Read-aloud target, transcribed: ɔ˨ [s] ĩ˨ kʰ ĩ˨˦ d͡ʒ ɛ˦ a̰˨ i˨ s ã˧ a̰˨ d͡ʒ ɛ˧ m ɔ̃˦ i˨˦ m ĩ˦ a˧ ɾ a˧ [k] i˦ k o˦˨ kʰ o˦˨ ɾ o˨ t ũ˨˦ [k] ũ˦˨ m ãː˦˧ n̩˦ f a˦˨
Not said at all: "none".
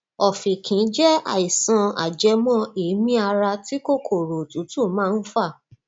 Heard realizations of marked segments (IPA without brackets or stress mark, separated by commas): f, t, t